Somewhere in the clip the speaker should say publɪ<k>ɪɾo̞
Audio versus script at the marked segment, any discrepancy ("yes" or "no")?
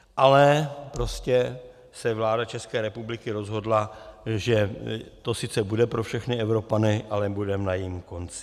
no